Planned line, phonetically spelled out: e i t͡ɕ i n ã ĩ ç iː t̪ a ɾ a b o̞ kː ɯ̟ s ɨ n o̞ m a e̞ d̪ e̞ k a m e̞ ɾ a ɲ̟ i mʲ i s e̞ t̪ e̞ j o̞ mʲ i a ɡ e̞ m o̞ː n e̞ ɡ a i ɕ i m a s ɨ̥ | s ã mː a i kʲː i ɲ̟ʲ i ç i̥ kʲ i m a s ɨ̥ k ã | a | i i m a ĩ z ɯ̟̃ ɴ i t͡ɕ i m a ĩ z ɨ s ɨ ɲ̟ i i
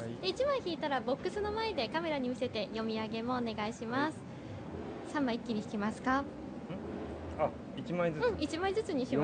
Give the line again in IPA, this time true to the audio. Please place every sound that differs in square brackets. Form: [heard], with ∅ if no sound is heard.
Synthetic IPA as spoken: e i t͡ɕ i [m] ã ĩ ç iː t̪ a ɾ a b o̞ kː ɯ̟ s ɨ n o̞ m a e̞ d̪ e̞ k a m e̞ ɾ a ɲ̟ i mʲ i s e̞ t̪ e̞ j o̞ mʲ i a ɡ e̞ m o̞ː n e̞ ɡ a i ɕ i m a s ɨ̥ | s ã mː a i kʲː i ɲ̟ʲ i ç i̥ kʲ i m a s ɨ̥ k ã | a | i i m a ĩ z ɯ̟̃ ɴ i t͡ɕ i m a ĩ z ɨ [t͡s] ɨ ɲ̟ i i